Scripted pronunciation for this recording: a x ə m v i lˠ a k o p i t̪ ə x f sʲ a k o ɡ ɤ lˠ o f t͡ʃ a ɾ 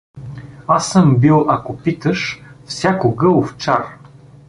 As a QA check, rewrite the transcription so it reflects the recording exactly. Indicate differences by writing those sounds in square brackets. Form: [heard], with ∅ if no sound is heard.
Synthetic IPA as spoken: a [s] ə m [b] i lˠ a k o p i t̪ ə [ʃ] f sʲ a k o ɡ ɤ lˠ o f t͡ʃ a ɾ